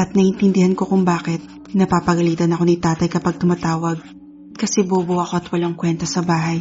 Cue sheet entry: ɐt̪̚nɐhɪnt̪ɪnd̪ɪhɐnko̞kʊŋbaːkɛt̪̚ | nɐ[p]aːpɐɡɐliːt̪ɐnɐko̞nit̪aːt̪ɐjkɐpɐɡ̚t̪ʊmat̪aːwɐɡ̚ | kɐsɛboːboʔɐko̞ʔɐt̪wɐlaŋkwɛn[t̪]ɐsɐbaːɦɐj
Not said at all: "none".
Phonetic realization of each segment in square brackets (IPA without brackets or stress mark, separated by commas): p, t̪